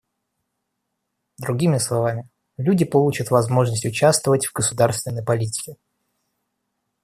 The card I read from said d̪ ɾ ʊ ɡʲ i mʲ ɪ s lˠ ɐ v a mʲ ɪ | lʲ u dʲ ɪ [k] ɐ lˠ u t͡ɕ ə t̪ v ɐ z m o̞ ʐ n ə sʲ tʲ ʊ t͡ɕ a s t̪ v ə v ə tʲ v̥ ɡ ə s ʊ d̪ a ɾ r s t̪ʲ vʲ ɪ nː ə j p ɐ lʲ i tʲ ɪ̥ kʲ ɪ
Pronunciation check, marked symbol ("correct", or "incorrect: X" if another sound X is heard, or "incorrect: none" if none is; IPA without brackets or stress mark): incorrect: p